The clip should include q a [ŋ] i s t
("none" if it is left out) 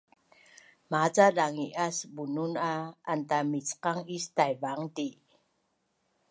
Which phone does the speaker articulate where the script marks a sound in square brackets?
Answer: ŋ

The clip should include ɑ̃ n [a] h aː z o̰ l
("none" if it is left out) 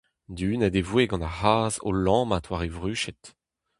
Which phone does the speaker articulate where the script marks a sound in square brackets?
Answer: a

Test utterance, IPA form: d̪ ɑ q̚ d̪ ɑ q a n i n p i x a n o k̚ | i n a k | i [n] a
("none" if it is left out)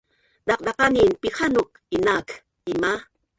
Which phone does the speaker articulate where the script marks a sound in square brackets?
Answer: m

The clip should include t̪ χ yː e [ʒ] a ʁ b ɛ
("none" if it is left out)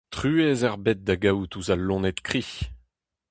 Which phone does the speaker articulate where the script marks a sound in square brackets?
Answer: z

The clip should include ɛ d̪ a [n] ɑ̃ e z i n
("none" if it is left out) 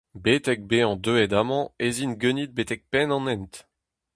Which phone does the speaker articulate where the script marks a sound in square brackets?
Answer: m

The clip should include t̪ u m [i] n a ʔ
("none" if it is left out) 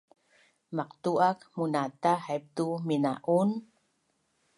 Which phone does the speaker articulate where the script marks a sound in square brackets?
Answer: i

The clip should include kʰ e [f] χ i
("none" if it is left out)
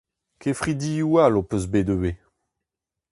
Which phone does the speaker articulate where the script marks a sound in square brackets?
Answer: f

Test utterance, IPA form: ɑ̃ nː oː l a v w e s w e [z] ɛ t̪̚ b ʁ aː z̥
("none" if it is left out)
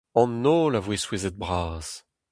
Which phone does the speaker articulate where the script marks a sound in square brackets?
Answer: z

